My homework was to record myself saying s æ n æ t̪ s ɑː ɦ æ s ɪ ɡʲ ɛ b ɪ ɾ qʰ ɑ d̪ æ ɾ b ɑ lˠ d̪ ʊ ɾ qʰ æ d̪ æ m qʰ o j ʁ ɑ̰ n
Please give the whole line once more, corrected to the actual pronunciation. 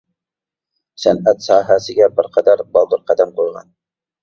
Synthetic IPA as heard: s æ n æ t̪ s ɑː ɦ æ s ɪ ɡʲ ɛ b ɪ ɾ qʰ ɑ d̪ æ ɾ b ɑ lˠ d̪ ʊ ɾ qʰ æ d̪ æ m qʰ o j ʁ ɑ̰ n